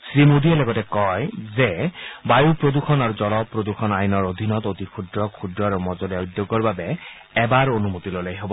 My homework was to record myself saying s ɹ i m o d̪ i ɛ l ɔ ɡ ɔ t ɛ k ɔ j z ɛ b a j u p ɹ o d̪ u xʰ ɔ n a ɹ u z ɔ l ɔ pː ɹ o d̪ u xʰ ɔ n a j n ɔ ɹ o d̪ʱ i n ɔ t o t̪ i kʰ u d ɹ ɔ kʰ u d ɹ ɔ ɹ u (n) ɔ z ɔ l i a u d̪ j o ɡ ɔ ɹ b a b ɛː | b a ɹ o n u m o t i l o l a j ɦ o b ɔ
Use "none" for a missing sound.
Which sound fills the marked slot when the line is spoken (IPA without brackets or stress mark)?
m